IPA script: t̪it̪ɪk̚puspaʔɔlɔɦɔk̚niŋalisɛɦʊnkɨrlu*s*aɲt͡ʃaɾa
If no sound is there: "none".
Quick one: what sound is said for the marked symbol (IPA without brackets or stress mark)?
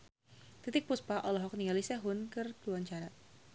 none